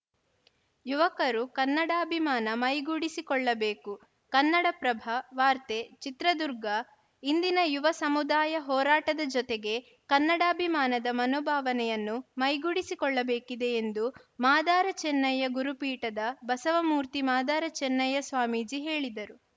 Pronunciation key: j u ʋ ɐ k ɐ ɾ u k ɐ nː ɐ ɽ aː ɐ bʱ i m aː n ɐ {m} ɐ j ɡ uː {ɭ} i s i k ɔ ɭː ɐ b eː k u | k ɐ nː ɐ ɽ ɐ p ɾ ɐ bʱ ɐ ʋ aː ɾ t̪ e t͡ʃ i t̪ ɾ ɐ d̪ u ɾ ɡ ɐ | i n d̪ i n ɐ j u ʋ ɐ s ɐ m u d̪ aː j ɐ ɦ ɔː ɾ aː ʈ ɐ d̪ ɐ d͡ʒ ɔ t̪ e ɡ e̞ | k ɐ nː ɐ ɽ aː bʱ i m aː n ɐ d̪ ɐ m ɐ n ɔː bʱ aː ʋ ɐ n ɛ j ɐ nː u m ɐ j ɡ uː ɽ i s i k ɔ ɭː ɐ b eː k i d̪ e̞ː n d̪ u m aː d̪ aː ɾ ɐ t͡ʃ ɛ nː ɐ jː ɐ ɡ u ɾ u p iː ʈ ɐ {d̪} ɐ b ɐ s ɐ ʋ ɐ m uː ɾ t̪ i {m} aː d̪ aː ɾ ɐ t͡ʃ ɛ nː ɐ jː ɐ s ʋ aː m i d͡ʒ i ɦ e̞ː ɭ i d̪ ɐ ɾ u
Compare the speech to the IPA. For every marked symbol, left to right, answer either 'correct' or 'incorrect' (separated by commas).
correct, incorrect, correct, correct